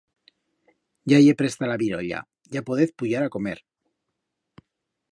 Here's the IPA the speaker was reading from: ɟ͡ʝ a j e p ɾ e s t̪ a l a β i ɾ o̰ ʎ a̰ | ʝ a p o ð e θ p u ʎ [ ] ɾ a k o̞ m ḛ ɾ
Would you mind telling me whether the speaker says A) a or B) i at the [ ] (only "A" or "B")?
A